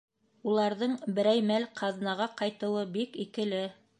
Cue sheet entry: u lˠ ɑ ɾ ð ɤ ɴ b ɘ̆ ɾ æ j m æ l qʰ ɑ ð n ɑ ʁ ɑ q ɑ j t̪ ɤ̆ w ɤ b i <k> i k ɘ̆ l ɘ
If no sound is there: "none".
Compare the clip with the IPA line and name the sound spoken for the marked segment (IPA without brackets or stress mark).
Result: k